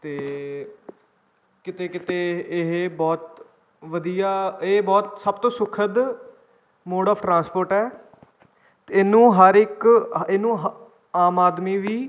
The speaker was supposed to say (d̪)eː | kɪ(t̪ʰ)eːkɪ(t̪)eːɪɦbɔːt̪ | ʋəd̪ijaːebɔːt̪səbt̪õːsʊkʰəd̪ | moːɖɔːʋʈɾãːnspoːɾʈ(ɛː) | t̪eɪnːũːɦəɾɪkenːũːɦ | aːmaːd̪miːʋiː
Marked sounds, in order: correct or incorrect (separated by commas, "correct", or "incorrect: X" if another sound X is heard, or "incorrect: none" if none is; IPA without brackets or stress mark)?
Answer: incorrect: t̪, incorrect: t̪, correct, correct